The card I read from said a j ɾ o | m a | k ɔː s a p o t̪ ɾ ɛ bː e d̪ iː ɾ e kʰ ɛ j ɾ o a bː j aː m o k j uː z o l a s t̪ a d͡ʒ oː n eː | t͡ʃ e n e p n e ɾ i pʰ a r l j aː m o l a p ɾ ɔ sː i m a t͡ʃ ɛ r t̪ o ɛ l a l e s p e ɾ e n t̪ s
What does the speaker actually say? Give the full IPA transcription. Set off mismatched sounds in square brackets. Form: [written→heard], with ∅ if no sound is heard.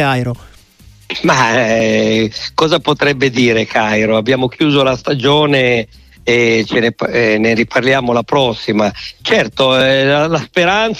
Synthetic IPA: a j ɾ o | m a | k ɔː [s→z] a p o t̪ ɾ ɛ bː e d̪ iː ɾ e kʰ [ɛ→a] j ɾ o a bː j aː m o k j uː z o l a s t̪ a d͡ʒ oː n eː | t͡ʃ e n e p n e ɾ i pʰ a r l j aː m o l a p ɾ ɔ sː i m a t͡ʃ ɛ r t̪ o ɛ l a l [e→a] s p e ɾ [e→a] n t̪ s